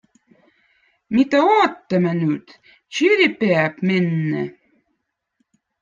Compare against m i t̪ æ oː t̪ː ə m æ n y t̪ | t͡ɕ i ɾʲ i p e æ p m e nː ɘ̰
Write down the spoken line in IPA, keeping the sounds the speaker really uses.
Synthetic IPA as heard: m i t̪ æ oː t̪ː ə m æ n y t̪ | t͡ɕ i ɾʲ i p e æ p m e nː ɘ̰